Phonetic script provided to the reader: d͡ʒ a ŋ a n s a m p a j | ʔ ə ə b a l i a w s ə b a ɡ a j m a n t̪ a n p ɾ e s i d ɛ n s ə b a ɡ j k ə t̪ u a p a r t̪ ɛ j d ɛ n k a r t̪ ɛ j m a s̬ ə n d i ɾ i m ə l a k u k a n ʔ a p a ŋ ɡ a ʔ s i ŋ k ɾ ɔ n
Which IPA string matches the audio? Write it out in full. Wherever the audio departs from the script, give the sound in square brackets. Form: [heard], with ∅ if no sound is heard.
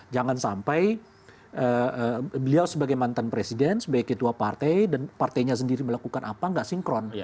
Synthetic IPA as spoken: d͡ʒ a ŋ a n s a m p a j | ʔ ə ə b [ə] l i a w s ə b a ɡ a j m a n t̪ a n p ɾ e s i d ɛ n s ə b a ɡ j k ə t̪ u a p a r t̪ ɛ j d [a] n [p] a r t̪ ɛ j [ɲ] a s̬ ə n d i ɾ i m ə l a k u k a n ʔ a p a ŋ ɡ a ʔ s i ŋ k ɾ ɔ n

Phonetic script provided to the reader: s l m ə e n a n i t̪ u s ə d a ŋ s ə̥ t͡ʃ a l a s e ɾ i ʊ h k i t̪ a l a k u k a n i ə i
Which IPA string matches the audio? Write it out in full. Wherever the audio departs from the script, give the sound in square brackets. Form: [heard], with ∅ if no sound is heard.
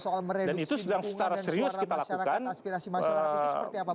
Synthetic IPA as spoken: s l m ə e [d] a n i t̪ u s ə d a ŋ s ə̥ t͡ʃ a [ɾ] a s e ɾ i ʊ [s] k i t̪ a l a k u k a n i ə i

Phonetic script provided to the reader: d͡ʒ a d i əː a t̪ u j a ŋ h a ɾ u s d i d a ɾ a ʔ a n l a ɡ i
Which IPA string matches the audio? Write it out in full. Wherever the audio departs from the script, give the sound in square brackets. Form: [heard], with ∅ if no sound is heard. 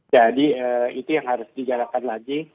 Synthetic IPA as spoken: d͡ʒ a d i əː [i] t̪ u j a ŋ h a ɾ [ʊ] s d i [d͡ʒ] a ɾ a [k] a n l a ɡ i

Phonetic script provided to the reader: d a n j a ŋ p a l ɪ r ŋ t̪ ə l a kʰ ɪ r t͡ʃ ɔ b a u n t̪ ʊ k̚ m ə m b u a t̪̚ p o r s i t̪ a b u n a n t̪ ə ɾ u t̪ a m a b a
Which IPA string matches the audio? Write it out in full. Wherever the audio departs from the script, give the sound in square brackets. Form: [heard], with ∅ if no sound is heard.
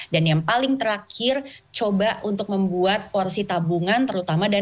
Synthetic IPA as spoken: d a n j a ŋ p a l ɪ [∅] ŋ t̪ ə [ɾ] a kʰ ɪ r t͡ʃ [o] b a u n t̪ ʊ k̚ m ə m b u a t̪̚ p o r s i t̪ a b u [ŋ] a n t̪ ə ɾ u t̪ a m a [d] a

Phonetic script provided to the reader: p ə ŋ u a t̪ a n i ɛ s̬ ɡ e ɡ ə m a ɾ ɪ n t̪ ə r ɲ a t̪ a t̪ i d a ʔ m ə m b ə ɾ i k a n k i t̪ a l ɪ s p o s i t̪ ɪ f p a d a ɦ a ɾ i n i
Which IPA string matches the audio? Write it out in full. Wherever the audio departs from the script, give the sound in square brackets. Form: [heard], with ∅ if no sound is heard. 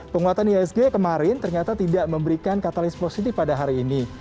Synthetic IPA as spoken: p ə ŋ u a t̪ a n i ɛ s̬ ɡ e [k] ə m a ɾ ɪ n t̪ ə r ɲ a t̪ a t̪ i d a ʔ m ə m b ə ɾ i k a n k [a] t̪ a l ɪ s p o s i t̪ ɪ f p a d a ɦ a ɾ [iː] n i

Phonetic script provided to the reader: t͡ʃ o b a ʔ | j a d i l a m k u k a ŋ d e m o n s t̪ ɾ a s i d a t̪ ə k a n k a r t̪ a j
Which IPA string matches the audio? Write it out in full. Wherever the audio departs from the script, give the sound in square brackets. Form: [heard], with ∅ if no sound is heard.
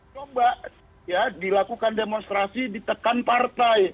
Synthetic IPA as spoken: t͡ʃ o b a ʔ | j a d i l a [∅] k u k a [n] d e m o n s t̪ ɾ a s i d [i] t̪ ə k a n [p] a r t̪ a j

